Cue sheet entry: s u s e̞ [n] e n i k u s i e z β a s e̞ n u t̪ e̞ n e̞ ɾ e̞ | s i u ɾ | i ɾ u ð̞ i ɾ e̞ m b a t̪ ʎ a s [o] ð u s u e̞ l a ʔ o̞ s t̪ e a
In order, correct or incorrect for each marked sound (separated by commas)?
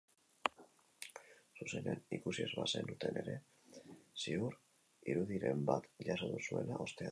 correct, correct